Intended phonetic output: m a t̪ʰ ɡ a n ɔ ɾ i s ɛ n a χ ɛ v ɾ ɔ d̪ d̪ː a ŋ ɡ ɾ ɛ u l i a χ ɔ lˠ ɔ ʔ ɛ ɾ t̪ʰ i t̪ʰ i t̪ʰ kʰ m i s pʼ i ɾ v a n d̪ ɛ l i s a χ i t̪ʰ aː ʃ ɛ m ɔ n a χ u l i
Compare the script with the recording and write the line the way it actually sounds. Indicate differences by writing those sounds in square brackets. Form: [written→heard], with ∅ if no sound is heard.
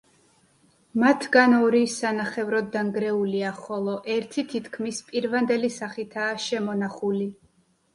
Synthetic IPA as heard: m a t̪ʰ ɡ a n ɔ ɾ i s [ɛ→a] n a χ ɛ v ɾ ɔ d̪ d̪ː a ŋ ɡ ɾ ɛ u l i a χ ɔ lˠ ɔ ʔ ɛ ɾ t̪ʰ i t̪ʰ i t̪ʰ kʰ m i s pʼ i ɾ v a n d̪ ɛ l i s a χ i t̪ʰ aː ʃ ɛ m ɔ n a χ u l i